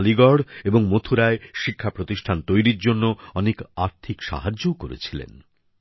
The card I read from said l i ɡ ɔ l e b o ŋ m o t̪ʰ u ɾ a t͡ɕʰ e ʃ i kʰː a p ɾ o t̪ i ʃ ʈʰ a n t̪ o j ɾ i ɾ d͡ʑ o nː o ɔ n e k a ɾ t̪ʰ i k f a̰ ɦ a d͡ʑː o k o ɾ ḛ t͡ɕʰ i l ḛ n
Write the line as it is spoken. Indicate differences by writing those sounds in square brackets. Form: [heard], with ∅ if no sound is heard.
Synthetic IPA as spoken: l i ɡ ɔ [ɽ] e b o ŋ m o t̪ʰ u ɾ a [∅] e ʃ i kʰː a p ɾ o t̪ i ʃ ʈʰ a n t̪ o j ɾ i ɾ d͡ʑ o nː o ɔ n e k a ɾ t̪ʰ i k [ʃ] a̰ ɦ a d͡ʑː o k o ɾ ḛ t͡ɕʰ i l ḛ n